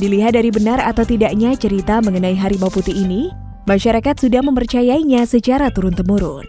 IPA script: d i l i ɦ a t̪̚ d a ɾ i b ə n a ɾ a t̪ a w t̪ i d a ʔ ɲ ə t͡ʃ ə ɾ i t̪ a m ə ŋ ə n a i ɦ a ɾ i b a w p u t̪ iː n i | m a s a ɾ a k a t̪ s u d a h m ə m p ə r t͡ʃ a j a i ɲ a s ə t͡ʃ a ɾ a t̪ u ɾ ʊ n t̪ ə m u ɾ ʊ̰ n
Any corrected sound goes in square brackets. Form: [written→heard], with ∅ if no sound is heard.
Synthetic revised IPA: d i l i ɦ a t̪̚ d a ɾ i b ə n a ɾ a t̪ a w t̪ i d a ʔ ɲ [ə→a] t͡ʃ ə ɾ i t̪ a m ə ŋ ə n a i ɦ a ɾ i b a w p u t̪ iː n i | m a [s→ʃ] a ɾ a k a t̪ s u d a h m ə m p ə r t͡ʃ a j a i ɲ a s ə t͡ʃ a ɾ a t̪ u ɾ ʊ n t̪ ə m u ɾ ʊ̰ n